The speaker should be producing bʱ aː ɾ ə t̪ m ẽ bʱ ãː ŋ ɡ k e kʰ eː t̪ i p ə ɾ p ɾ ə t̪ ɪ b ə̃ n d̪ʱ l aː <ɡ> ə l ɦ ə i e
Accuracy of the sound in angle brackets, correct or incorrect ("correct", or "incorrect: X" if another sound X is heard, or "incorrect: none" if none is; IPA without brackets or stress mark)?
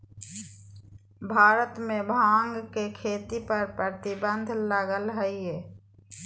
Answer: correct